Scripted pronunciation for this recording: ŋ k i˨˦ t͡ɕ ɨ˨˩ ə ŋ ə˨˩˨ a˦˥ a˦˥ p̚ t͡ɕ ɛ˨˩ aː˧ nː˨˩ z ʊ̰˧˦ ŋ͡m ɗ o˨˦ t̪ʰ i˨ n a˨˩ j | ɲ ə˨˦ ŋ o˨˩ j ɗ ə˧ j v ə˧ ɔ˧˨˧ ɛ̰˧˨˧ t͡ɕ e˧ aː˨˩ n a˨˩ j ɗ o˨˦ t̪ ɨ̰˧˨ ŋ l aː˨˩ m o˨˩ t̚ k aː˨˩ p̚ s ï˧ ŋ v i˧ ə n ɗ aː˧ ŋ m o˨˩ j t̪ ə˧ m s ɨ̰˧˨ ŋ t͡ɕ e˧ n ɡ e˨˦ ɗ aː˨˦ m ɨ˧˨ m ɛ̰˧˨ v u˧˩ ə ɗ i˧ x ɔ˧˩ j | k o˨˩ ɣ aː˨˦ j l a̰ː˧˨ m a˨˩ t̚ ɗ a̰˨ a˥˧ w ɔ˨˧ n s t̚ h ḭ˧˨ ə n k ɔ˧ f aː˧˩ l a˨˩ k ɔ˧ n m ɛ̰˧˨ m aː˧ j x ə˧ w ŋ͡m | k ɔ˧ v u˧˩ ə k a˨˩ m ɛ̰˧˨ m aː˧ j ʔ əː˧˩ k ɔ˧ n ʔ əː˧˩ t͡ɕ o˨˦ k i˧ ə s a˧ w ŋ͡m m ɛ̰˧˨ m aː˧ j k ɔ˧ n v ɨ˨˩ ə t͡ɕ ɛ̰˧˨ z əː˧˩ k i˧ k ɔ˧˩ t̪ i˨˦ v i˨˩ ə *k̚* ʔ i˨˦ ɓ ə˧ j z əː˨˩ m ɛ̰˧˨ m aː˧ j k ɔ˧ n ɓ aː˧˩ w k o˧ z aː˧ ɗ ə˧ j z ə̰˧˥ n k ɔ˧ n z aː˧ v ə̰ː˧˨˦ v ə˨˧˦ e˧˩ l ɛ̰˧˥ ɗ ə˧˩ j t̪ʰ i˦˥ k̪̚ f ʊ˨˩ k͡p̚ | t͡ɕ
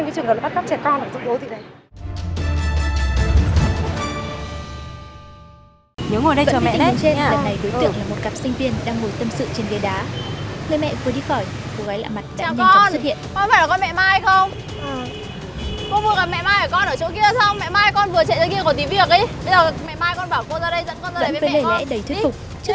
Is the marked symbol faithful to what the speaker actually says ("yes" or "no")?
yes